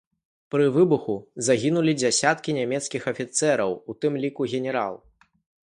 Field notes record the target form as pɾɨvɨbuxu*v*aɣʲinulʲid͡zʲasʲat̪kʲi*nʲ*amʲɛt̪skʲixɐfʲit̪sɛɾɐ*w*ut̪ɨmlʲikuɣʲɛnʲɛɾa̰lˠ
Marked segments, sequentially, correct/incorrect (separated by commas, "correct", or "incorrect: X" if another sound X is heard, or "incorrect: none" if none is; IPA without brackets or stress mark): incorrect: z, correct, correct